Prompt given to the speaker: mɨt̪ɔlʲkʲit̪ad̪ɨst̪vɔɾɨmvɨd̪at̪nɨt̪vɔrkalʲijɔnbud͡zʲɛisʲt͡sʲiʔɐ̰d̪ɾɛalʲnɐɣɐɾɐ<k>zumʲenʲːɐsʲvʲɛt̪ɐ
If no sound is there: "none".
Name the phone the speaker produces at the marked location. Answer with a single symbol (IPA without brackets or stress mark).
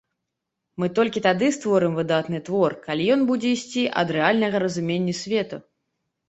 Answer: none